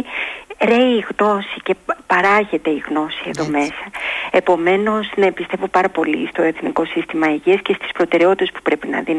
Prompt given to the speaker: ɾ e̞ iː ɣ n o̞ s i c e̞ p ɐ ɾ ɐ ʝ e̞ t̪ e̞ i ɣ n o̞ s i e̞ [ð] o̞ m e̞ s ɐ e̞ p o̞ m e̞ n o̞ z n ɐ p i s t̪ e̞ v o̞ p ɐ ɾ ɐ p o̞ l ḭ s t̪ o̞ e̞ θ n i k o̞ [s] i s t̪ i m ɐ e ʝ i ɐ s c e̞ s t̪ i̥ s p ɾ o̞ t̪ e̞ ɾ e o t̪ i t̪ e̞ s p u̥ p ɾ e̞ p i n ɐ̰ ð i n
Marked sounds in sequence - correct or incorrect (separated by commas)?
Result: correct, correct